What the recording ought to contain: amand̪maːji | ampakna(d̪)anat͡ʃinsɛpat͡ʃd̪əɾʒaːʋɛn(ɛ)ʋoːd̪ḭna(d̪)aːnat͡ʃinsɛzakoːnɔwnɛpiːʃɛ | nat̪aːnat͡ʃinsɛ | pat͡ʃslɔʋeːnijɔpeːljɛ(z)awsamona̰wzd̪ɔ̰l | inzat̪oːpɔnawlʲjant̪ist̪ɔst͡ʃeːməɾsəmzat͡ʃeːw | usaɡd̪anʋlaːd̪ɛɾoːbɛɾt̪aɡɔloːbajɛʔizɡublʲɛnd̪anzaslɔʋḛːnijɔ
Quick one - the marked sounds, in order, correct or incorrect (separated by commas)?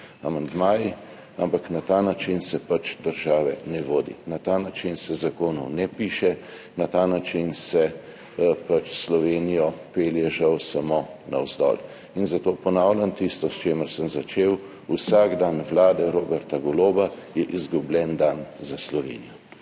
incorrect, correct, incorrect, incorrect